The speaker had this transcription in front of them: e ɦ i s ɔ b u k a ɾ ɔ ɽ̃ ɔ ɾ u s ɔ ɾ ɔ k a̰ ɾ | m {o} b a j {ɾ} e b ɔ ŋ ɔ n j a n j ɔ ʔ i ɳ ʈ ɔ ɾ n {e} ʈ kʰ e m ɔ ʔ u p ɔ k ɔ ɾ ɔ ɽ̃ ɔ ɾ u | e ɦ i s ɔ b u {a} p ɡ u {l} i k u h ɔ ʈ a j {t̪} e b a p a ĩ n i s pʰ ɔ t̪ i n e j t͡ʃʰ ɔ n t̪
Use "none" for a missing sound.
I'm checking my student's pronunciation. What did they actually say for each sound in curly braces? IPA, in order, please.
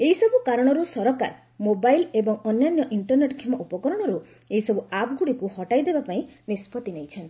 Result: o, l, e, a, ɽ, d̪

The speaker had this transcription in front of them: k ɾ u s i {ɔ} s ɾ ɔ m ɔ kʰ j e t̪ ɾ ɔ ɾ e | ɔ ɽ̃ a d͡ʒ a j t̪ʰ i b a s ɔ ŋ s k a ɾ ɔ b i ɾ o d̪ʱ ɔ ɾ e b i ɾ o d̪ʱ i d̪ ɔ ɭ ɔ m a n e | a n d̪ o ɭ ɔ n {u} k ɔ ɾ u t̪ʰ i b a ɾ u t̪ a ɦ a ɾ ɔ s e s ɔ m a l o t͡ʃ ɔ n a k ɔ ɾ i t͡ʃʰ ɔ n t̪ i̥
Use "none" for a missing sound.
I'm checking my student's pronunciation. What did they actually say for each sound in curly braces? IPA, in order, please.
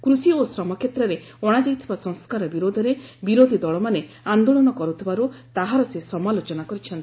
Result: o, ɔ

